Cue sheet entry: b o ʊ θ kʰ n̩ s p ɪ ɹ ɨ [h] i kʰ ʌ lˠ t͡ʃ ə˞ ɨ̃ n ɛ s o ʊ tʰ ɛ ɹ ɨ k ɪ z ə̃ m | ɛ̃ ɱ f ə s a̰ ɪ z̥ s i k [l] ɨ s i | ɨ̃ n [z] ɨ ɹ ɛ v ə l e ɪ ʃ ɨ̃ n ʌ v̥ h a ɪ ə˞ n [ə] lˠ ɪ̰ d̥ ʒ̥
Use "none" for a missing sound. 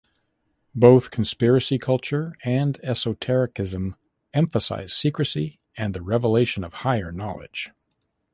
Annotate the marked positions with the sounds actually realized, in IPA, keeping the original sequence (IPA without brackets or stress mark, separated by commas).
s, ɹ, ð, ɑ